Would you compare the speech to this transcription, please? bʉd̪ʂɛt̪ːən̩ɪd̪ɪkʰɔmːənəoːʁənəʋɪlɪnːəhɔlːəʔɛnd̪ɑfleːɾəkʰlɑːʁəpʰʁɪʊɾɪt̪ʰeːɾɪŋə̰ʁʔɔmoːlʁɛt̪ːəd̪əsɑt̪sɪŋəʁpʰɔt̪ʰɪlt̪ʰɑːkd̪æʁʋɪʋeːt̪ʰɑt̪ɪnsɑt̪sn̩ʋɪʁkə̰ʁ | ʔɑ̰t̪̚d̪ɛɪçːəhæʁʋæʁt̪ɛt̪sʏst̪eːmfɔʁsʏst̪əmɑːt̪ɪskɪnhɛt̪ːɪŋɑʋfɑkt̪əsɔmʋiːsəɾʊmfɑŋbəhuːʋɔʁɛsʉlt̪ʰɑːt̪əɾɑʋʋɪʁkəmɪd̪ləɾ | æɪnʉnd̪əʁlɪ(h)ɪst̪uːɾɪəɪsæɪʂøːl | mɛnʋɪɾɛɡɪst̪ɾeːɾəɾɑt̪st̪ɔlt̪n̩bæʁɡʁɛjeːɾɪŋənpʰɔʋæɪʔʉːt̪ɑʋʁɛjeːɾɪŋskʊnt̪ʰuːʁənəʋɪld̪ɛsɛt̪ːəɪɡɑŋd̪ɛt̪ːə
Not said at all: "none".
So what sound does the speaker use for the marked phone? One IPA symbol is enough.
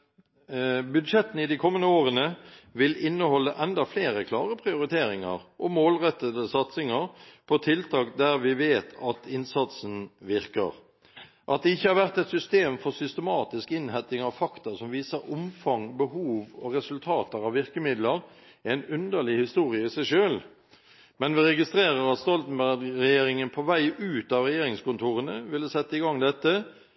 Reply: h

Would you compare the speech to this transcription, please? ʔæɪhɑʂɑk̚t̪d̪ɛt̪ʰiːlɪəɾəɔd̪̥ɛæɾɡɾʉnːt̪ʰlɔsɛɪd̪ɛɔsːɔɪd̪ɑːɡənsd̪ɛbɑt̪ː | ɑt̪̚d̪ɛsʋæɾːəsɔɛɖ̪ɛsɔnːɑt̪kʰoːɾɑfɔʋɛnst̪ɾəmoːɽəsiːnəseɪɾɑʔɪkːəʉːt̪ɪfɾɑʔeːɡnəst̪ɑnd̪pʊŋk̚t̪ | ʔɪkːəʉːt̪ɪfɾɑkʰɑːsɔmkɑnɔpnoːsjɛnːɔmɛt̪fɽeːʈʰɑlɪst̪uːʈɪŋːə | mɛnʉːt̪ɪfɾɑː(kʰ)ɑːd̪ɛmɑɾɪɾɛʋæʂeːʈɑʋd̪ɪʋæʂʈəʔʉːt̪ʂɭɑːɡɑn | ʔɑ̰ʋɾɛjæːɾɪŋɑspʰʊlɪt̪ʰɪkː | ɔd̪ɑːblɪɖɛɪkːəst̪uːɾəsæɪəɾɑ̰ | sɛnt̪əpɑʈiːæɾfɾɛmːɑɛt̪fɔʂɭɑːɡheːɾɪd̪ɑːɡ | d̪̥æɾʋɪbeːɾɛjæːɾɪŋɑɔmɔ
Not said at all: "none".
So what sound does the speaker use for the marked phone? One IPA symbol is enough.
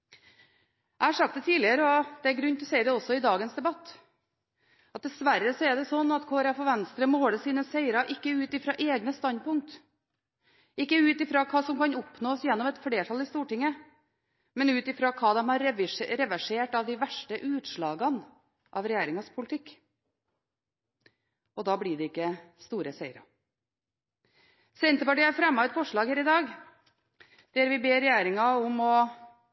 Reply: kʰ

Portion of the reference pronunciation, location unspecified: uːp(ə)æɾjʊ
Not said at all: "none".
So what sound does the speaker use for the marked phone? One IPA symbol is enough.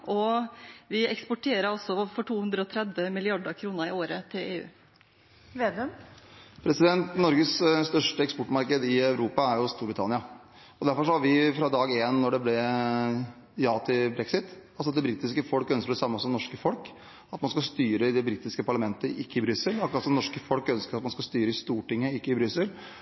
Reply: ɑ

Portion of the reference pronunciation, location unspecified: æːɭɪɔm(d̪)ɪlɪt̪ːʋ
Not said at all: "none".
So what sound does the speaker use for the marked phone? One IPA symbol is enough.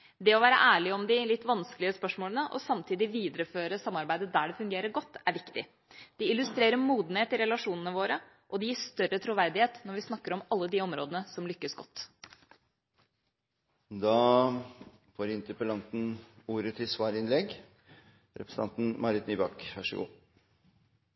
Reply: d̪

